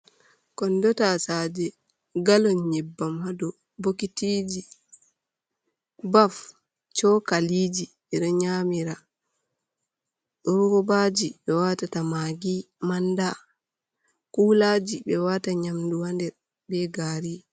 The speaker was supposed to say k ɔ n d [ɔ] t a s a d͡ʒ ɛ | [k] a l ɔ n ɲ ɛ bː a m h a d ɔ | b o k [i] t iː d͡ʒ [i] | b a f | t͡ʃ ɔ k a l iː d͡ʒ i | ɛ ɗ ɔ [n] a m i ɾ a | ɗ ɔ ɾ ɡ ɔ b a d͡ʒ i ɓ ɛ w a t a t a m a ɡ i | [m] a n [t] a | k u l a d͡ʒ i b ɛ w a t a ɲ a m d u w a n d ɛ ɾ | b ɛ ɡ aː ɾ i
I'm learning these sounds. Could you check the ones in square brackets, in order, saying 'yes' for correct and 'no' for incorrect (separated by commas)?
yes, no, yes, yes, no, yes, no